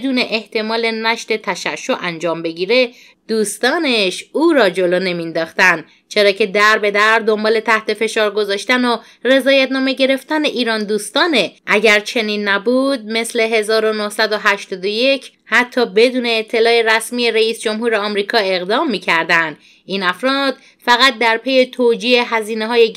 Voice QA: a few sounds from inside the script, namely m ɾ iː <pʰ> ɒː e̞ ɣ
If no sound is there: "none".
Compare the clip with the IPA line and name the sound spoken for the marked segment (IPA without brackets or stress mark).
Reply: kʰ